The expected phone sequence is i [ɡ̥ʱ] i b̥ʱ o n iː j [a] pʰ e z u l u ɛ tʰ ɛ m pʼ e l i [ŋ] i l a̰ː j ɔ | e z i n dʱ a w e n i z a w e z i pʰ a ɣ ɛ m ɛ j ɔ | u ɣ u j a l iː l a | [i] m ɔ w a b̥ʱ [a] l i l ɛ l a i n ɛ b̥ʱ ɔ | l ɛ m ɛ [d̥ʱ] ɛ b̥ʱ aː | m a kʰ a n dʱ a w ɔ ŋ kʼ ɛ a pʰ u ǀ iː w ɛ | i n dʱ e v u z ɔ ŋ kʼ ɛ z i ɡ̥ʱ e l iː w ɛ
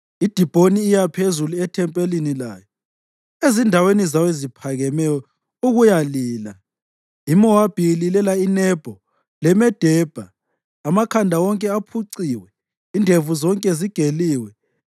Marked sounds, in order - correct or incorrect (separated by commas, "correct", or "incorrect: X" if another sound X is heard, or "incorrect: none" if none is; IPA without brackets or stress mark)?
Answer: incorrect: d̥ʱ, correct, incorrect: n, correct, incorrect: i, correct